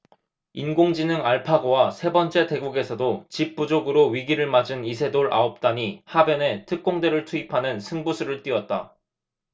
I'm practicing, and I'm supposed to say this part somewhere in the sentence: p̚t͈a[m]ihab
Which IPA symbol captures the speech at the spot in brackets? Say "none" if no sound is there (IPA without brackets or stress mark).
ɲ